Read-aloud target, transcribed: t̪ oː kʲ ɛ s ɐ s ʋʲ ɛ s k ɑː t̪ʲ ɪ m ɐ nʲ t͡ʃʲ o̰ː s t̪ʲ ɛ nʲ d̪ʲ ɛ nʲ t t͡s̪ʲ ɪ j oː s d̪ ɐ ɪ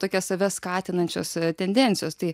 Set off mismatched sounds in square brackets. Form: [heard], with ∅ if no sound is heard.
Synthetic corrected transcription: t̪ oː kʲ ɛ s ɐ [∅] ʋʲ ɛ s k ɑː t̪ʲ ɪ [n] ɐ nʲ t͡ʃʲ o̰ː s t̪ʲ ɛ nʲ d̪ʲ ɛ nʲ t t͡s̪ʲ ɪ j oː s [t̪] ɐ ɪ